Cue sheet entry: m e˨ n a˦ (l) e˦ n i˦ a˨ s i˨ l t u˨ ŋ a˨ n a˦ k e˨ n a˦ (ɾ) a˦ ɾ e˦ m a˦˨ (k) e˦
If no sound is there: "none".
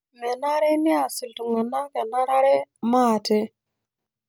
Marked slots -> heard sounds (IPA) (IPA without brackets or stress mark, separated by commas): ɾ, ɾ, t